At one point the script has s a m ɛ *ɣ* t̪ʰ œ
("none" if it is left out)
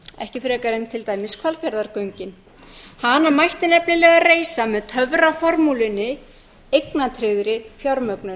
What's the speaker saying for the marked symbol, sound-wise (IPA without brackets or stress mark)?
ð